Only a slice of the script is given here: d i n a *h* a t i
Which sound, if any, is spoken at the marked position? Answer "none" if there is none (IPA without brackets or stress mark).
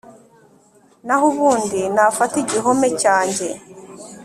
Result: f